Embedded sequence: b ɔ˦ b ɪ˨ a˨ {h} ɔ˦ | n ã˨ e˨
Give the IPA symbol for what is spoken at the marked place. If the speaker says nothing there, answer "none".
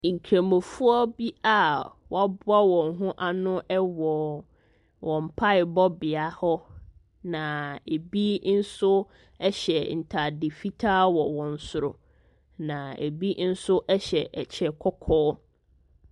h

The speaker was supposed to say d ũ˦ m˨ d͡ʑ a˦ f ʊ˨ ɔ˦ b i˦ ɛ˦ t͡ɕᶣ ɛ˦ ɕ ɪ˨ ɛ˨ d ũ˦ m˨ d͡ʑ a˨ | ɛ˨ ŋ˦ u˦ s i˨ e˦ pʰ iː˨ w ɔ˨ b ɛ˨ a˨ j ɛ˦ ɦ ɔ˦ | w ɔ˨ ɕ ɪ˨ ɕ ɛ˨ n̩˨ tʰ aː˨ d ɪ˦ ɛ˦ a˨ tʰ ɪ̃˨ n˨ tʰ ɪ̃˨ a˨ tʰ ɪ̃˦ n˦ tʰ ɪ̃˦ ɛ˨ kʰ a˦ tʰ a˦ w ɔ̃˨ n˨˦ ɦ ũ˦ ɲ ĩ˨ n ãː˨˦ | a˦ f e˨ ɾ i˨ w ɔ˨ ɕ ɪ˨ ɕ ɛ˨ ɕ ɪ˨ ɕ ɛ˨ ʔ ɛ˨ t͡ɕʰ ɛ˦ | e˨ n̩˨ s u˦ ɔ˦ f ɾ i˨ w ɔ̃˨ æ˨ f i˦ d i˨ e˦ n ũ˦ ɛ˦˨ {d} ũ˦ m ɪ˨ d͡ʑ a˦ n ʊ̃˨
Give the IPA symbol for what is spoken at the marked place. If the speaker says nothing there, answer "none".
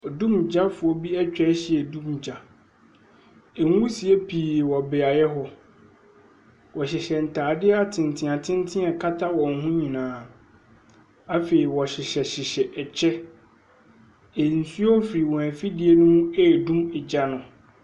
d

